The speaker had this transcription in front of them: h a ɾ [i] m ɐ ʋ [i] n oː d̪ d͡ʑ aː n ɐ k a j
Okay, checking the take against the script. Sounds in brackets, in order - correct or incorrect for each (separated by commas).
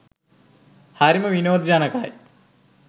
correct, correct